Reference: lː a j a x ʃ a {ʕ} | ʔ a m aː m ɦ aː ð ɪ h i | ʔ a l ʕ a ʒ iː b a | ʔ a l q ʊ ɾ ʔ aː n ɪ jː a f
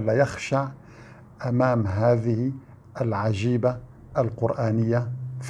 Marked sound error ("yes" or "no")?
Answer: no